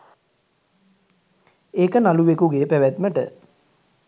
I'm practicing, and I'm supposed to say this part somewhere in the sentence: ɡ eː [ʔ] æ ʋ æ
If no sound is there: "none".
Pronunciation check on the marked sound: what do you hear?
p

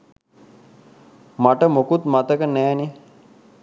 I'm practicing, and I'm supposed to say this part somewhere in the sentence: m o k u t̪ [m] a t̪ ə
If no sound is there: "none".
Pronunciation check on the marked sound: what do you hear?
m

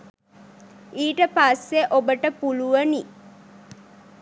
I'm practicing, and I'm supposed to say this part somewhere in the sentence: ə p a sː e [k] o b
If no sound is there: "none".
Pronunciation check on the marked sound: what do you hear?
ʔ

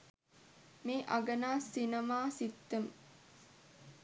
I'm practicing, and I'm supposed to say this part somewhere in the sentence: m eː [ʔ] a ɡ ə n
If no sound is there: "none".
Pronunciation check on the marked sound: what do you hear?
ʔ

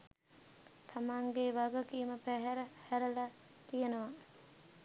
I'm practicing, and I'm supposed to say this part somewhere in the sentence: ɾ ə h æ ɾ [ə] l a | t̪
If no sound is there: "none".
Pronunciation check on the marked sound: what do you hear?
ə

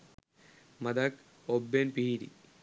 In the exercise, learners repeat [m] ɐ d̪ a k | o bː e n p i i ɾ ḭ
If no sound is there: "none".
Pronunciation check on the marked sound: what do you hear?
m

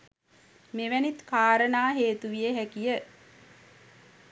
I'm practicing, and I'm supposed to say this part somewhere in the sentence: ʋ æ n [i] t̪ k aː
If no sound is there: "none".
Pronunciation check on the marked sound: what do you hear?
i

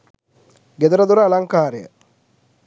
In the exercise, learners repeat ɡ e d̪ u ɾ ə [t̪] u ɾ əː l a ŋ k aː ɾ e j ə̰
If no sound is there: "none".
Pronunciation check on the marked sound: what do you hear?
d̪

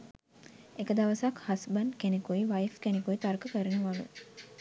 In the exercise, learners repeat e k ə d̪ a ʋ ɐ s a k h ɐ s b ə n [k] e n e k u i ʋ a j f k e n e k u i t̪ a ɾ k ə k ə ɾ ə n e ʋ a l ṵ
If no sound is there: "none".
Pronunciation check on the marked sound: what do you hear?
k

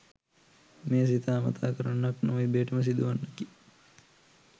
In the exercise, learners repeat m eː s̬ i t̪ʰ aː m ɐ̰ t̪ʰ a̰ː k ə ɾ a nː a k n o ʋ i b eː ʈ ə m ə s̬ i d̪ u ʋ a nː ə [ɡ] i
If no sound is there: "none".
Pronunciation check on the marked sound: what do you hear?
k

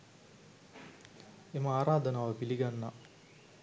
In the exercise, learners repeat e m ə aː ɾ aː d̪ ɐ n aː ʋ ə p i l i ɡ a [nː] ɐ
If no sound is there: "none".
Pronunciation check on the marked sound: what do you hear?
nː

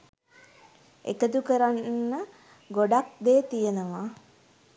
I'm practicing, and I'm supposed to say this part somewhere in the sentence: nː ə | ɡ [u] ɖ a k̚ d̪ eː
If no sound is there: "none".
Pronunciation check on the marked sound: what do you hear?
o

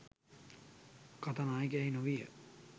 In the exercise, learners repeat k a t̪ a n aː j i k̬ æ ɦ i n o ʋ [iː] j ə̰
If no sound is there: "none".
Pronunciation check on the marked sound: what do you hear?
i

